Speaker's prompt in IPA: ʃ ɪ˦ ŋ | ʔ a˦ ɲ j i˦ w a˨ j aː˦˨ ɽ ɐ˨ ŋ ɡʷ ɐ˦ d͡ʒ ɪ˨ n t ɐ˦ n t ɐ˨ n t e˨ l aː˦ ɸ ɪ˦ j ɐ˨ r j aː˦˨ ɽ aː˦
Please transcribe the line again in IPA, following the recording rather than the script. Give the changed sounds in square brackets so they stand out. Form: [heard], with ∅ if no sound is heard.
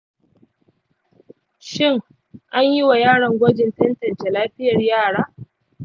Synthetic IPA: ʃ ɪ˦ ŋ | ʔ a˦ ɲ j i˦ w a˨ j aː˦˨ ɽ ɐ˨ ŋ ɡʷ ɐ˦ d͡ʒ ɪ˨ n t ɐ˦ n t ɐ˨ n [t͡ʃ] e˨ l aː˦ ɸ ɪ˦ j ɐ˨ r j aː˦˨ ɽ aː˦